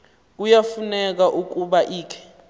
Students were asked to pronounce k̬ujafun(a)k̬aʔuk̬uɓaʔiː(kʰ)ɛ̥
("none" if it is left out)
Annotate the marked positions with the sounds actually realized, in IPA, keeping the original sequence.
ɛ, kʰ

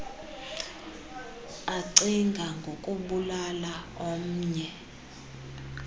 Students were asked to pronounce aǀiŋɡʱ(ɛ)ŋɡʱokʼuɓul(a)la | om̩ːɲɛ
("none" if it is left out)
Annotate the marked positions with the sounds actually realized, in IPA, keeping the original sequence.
a, a

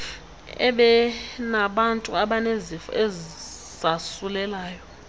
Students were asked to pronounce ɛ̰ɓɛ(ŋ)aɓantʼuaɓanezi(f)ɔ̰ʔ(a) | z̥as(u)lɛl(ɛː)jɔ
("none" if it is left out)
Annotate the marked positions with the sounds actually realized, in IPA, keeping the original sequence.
n, f, ɛ, u, aː

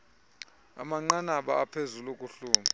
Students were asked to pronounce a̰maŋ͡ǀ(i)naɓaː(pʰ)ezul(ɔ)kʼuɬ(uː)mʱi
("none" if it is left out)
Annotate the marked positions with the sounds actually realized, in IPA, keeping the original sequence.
a, pʰ, o, uː

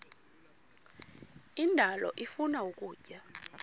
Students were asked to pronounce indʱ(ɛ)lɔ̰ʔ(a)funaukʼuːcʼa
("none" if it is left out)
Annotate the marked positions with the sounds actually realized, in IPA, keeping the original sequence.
a, i

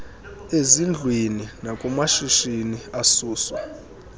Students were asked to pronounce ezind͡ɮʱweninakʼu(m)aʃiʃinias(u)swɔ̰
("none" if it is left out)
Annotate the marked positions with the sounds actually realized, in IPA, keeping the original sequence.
m, uː

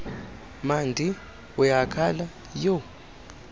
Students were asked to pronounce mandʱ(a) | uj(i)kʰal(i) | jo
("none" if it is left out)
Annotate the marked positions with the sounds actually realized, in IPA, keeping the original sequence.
i, a, a

